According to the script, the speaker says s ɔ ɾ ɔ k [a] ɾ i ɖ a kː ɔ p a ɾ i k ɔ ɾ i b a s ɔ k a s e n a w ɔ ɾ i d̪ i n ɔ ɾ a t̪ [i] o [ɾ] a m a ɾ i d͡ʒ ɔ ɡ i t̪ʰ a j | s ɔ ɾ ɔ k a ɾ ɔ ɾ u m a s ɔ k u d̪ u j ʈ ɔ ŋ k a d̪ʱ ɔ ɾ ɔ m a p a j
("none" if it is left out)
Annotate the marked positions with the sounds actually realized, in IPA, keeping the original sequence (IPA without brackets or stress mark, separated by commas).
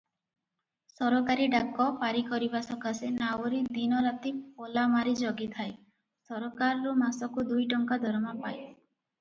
a, i, l